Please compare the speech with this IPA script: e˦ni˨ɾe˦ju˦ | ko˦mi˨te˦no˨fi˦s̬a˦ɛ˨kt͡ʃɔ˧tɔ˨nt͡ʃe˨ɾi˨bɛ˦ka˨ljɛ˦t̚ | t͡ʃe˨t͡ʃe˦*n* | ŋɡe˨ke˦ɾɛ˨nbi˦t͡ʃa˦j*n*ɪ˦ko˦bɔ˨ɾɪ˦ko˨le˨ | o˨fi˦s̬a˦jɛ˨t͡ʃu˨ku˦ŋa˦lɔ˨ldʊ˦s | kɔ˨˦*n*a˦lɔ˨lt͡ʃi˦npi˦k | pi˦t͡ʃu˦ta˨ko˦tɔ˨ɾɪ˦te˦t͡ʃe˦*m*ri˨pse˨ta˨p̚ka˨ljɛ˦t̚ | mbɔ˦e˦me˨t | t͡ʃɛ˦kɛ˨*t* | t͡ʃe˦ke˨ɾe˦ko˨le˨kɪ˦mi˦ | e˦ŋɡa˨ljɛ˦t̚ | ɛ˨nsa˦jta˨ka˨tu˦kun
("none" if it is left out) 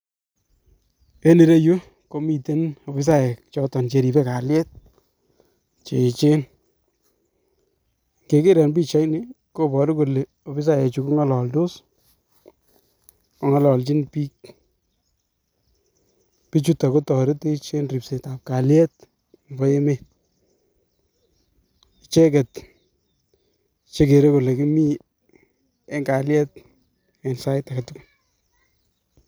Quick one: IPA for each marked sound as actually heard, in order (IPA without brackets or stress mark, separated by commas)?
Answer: n, n, ŋ, n, t